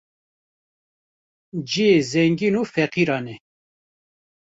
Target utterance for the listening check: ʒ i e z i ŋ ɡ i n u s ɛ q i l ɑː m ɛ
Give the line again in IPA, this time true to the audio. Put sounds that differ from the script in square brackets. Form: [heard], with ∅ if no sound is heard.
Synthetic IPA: [d͡ʒ] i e z [ɛ] ŋ ɡ i n u [f] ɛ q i [ɾ] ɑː [n] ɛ